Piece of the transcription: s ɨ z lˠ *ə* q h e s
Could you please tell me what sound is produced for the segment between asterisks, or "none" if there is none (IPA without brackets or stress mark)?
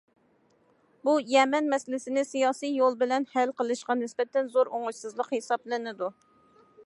ə